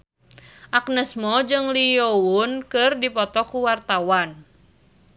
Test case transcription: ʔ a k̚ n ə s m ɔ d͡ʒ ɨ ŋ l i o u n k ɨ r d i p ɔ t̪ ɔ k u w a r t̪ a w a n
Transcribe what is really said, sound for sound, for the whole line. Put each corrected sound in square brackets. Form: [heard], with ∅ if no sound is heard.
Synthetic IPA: ʔ a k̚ n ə s m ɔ d͡ʒ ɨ ŋ l i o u n k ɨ r d i p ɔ t̪ ɔ k u w a r t̪ a w a n